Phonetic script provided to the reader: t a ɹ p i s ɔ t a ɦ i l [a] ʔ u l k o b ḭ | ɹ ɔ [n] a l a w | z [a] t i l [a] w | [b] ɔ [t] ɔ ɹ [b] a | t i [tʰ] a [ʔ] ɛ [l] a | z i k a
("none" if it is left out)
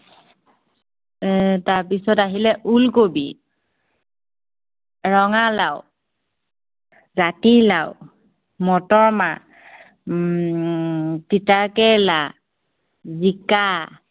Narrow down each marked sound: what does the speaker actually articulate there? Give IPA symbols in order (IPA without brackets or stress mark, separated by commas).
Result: ɛ, ŋ, a, a, m, t, m, t, k, l